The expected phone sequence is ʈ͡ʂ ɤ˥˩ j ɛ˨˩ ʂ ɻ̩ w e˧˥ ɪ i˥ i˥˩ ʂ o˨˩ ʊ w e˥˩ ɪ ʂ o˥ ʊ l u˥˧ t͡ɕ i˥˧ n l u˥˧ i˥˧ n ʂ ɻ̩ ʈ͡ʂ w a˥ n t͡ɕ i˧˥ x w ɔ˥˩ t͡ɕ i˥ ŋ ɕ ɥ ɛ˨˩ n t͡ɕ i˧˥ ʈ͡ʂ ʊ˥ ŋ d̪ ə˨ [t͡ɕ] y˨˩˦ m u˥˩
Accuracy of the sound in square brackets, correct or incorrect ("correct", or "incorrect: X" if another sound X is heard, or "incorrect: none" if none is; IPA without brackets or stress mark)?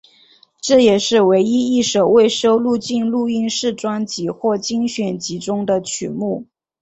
incorrect: t͡ɕʰ